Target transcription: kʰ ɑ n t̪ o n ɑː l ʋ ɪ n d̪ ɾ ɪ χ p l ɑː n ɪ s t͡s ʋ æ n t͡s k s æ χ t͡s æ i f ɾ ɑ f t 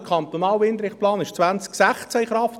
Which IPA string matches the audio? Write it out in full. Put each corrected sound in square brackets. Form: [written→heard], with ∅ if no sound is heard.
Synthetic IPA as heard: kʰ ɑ n t̪ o n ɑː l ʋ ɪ n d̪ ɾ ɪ χ p l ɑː n ɪ [s→ʃ] t͡s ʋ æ n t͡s k s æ χ t͡s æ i [f→χ] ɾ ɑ f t